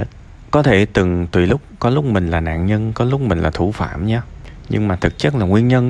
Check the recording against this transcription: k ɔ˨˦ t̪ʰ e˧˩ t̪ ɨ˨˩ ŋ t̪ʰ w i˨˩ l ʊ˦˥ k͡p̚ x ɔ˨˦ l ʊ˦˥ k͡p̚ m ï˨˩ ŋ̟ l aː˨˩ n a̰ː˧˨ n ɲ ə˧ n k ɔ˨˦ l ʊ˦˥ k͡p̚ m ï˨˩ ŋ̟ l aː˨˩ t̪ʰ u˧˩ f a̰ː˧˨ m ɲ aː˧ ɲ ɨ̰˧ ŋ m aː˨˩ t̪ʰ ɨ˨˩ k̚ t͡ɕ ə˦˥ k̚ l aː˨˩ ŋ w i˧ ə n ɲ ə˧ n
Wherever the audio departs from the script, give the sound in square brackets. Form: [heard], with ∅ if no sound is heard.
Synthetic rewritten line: k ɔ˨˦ t̪ʰ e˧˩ t̪ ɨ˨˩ ŋ [t̪] w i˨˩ l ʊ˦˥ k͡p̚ [k] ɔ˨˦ l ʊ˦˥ k͡p̚ m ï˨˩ ŋ̟ l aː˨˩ n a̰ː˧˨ n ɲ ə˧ n k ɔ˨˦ l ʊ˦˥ k͡p̚ m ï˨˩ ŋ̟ l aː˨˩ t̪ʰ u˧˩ f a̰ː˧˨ m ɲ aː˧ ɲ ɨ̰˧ ŋ m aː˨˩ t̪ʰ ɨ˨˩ k̚ t͡ɕ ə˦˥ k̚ l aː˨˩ ŋ w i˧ ə n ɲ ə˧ n